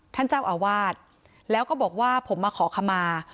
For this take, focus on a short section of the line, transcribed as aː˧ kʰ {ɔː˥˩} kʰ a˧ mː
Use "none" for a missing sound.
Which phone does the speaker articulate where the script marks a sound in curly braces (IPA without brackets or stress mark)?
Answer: ɔː˩˦